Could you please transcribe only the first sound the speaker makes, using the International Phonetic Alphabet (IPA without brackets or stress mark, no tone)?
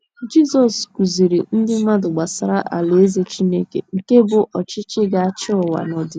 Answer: d͡ʒ